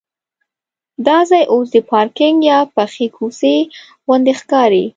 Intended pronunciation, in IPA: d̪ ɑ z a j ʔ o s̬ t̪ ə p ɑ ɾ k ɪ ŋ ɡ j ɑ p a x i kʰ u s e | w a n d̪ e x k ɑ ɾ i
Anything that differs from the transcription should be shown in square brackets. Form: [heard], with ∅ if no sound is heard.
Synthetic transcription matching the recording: d̪ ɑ z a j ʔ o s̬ [d̪] ə p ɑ ɾ k ɪ ŋ ɡ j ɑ p a x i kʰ u s e | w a n d̪ e x k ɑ ɾ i